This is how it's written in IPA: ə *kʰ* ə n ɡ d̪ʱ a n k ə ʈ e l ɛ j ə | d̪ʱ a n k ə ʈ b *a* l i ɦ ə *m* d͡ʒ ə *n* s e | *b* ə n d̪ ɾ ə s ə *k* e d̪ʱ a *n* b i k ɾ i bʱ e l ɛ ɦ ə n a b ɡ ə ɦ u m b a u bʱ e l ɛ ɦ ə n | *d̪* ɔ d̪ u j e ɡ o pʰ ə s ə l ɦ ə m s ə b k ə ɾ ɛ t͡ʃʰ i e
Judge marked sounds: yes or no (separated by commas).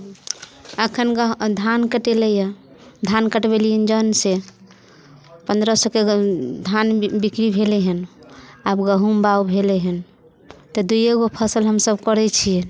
yes, no, no, yes, no, yes, yes, no